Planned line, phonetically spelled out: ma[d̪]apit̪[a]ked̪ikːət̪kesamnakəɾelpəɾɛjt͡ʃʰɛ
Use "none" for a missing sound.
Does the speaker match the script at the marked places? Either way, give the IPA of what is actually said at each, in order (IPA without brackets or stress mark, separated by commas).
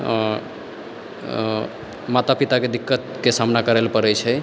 t̪, a